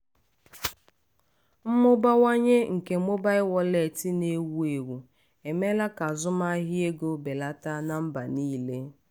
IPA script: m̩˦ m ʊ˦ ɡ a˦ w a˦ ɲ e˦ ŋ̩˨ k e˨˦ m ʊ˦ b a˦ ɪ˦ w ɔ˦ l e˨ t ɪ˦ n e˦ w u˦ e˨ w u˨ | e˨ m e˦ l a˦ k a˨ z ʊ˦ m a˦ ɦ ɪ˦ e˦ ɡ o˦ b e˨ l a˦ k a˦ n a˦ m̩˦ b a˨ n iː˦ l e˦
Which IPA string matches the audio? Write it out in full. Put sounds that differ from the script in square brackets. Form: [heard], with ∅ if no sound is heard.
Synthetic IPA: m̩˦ m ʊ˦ [b] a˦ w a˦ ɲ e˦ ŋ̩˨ k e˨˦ m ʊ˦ b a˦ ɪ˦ w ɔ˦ l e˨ t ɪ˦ n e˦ w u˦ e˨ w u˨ | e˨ m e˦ l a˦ k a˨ z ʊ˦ m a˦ ɦ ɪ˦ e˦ ɡ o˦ b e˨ l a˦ [t] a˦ n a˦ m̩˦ b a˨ n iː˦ l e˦

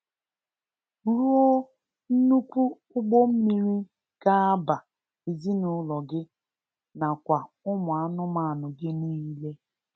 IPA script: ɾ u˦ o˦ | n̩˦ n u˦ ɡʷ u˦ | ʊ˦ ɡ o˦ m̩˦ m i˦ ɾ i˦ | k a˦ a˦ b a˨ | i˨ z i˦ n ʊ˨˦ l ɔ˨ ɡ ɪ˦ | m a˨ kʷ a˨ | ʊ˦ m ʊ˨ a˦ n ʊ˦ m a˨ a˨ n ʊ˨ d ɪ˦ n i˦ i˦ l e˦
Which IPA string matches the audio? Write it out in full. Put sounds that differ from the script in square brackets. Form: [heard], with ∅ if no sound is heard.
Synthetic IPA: ɾ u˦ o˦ | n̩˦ n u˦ [kʷ] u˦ | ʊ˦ [ɡ͡b] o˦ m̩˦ m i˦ ɾ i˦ | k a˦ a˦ b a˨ | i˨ z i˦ n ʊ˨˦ l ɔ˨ ɡ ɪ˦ | [n] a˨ kʷ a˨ | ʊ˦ m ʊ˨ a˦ n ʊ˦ m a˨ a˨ n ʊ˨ [ɡ] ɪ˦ n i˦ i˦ l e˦

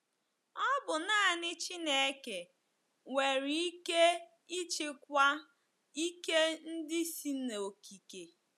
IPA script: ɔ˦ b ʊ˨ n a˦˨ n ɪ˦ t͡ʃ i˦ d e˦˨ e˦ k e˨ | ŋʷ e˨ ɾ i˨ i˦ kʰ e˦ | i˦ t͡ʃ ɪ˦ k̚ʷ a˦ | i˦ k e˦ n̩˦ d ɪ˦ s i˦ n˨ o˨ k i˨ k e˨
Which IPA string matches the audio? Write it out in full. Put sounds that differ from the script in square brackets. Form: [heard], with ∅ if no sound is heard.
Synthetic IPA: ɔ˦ b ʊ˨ n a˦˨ n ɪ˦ t͡ʃ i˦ [n] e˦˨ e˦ k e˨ | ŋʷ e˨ ɾ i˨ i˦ [k] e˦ | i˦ t͡ʃ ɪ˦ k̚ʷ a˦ | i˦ k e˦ n̩˦ d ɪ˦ s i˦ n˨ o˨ k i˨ k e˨

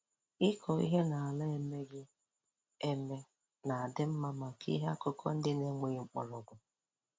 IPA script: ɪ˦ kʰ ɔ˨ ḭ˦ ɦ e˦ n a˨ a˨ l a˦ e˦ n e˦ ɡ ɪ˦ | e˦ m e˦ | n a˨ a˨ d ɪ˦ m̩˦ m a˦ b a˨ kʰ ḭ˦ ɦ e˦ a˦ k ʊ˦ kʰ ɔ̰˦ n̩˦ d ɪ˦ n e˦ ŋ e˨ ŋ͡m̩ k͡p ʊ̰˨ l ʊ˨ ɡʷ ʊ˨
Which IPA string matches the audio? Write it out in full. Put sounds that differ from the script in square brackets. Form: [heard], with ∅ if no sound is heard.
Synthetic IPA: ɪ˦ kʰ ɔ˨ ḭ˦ ɦ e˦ n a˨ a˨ l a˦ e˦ [m] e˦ ɡ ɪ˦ | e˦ m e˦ | n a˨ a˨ d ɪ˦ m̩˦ m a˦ [m] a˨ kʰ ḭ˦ ɦ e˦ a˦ k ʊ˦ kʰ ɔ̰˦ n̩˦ d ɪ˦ n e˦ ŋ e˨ ŋ͡m̩ k͡p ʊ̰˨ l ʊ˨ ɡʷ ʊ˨

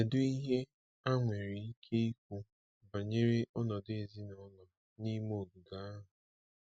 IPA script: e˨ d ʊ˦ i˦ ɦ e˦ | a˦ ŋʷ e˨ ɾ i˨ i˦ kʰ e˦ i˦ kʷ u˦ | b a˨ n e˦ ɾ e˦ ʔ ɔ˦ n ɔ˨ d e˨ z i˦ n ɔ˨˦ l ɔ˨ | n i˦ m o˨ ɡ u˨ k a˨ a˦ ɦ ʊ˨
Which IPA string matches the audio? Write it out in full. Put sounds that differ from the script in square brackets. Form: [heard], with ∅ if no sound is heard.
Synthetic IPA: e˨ d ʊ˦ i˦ ɦ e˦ | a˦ ŋʷ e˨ ɾ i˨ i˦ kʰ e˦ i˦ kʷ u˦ | b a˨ [ɲ] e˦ ɾ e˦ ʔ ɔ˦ n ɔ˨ d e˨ z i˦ n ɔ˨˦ l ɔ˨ | n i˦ m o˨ ɡ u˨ [ɡ] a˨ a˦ ɦ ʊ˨

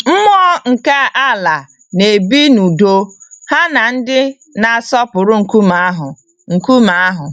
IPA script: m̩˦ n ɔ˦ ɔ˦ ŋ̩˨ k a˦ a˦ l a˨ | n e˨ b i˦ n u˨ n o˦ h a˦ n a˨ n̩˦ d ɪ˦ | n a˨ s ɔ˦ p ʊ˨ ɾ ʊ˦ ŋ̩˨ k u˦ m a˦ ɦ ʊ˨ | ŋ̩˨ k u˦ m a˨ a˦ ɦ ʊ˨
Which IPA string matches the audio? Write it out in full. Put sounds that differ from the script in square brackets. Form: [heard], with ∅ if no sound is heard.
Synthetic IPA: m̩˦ [m] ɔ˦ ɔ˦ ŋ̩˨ k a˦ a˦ l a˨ | n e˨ b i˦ n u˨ [d] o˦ h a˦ n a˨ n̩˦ d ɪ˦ | n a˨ s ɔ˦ p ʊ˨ ɾ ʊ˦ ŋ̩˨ k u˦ m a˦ ɦ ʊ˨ | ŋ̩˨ k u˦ m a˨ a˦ ɦ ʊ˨

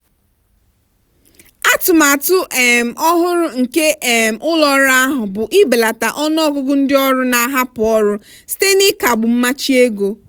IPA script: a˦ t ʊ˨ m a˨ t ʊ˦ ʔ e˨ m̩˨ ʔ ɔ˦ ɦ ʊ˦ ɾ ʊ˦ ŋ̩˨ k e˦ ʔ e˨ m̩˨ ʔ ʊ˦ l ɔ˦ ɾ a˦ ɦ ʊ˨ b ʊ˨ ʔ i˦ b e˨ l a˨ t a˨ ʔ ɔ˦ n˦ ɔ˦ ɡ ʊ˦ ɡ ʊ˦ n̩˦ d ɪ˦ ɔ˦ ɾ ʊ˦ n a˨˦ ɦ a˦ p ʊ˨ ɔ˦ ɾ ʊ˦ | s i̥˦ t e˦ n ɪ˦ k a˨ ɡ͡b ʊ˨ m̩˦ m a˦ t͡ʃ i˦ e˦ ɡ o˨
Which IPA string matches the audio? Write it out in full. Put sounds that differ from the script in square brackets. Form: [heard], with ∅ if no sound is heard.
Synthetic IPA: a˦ t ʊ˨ m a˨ t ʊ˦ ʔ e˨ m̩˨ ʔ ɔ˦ ɦ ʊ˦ ɾ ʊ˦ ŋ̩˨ k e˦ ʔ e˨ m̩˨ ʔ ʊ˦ l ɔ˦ ɾ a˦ ɦ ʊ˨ b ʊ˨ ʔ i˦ b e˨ l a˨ t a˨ ʔ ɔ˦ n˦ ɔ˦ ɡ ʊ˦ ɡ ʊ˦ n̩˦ d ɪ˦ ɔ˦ ɾ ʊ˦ n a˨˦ ɦ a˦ p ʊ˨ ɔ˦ ɾ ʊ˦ | s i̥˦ t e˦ n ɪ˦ k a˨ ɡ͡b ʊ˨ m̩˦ m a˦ t͡ʃ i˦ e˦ ɡ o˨

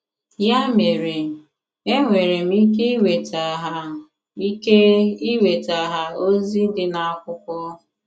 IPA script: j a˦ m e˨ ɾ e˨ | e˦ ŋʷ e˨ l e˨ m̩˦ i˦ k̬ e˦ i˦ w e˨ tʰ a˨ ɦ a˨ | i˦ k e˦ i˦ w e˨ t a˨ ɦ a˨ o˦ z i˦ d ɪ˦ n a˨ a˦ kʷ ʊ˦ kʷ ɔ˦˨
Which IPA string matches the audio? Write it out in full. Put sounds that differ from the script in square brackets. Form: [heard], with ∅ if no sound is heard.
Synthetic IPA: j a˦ m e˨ ɾ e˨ | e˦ ŋʷ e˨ [ɾ] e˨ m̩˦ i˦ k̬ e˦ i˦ w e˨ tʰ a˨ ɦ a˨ | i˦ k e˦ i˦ w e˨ t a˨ ɦ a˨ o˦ z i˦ d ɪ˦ n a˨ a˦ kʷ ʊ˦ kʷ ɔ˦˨

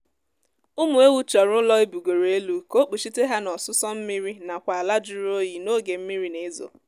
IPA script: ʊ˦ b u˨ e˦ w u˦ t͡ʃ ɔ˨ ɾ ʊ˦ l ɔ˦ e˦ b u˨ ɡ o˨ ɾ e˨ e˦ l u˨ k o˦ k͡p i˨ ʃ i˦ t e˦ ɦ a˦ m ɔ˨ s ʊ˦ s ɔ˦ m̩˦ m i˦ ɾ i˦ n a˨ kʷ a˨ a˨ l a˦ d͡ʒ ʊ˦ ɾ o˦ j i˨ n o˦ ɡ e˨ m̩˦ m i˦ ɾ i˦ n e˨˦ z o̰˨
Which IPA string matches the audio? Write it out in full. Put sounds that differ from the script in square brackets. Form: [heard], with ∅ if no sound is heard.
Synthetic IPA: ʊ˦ [m] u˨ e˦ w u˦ t͡ʃ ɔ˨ ɾ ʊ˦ l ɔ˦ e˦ b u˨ ɡ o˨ ɾ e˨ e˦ l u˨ k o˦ k͡p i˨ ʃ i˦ t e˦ ɦ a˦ [n] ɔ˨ s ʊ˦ s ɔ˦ m̩˦ m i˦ ɾ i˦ n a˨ kʷ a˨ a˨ l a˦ d͡ʒ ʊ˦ ɾ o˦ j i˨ n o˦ ɡ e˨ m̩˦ m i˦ ɾ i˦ n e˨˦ z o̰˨

